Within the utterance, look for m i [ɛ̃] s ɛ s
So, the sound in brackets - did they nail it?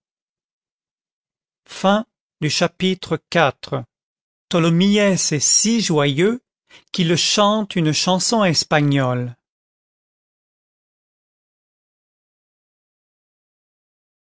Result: no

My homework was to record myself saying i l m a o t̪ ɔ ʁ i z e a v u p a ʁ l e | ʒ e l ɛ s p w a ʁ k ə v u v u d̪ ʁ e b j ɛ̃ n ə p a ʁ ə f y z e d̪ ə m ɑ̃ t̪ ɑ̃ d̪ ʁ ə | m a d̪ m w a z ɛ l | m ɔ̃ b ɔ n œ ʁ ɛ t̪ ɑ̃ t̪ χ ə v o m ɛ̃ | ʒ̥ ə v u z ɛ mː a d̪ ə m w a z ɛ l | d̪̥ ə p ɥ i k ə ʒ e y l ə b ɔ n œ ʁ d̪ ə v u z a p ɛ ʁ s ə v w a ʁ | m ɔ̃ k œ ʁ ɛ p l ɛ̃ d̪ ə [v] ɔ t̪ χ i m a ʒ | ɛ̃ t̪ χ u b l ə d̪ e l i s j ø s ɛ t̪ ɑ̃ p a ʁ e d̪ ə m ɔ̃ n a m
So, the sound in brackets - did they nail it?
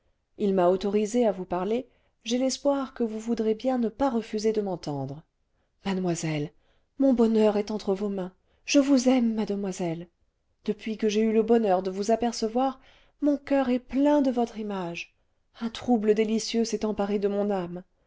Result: yes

